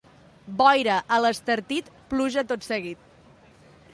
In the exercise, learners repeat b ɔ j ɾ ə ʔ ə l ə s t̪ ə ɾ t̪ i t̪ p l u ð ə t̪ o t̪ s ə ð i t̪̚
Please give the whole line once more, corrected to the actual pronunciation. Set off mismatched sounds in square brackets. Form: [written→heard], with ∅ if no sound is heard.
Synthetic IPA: b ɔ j ɾ ə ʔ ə l ə s t̪ ə ɾ t̪ i t̪ p l u [ð→ʒ] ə t̪ o t̪ s ə [ð→ɣ] i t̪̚